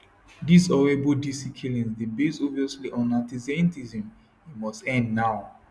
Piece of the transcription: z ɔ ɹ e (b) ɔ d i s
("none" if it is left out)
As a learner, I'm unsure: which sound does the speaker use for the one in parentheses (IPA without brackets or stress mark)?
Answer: b